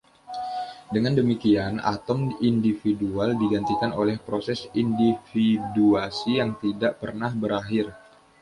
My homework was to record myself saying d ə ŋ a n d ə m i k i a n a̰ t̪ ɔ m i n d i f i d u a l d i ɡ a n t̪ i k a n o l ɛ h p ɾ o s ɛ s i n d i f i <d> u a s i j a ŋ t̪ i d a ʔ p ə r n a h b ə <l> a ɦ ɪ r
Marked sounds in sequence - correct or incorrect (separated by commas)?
correct, incorrect